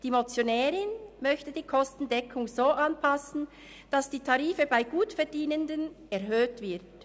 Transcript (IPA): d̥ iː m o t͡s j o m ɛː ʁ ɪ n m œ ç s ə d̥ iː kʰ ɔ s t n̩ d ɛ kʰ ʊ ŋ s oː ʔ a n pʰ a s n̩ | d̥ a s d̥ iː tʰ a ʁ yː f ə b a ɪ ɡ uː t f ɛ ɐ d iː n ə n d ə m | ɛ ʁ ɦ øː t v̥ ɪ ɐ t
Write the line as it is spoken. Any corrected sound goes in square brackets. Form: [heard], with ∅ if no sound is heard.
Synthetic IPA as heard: d̥ iː m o t͡s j o [n] ɛː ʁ ɪ n m œ ç [t] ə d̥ iː kʰ ɔ s t n̩ d ɛ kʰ ʊ ŋ [z] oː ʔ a n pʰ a s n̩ | d̥ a s d̥ iː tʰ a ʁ [iː] f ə b a ɪ ɡ uː t f ɛ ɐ d iː n ə n d ə [n] | ɛ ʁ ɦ øː t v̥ ɪ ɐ t